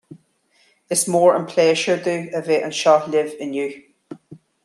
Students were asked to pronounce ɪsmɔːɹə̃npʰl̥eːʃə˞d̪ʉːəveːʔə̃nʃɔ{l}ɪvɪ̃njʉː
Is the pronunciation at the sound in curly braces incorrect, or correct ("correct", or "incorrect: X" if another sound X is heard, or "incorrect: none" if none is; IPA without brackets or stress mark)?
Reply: correct